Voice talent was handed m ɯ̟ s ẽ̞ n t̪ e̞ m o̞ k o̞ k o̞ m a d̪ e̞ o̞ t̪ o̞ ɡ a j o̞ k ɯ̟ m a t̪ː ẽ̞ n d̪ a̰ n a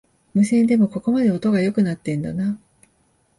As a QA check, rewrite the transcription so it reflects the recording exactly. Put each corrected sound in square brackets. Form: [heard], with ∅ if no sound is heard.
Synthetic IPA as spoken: m ɯ̟ s ẽ̞ n [d̪] e̞ m o̞ k o̞ k o̞ m a d̪ e̞ o̞ t̪ o̞ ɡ a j o̞ k ɯ̟ [n] a t̪ː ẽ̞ n d̪ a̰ n a